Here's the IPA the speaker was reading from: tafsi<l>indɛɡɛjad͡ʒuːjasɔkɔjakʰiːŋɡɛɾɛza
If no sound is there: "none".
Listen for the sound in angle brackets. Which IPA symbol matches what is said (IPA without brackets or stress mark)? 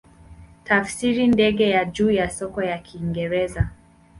ɾ